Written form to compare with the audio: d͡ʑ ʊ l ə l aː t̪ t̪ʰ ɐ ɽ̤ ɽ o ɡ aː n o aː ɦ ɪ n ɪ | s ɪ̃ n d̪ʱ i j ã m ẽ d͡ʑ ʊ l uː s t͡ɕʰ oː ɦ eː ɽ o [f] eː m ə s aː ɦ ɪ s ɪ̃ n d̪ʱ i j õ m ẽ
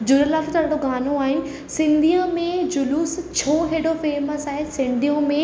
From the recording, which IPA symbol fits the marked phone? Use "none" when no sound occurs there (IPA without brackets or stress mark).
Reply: f